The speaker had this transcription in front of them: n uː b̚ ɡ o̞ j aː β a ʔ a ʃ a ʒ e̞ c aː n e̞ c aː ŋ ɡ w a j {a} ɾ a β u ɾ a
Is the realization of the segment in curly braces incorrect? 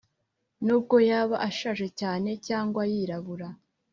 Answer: yes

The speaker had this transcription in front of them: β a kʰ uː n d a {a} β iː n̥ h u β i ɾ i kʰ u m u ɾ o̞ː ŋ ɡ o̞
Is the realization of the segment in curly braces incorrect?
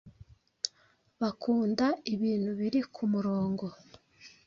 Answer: yes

